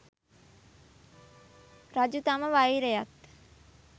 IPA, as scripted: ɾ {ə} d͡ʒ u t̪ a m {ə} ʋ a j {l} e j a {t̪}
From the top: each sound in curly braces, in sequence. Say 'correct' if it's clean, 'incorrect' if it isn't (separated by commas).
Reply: incorrect, correct, incorrect, correct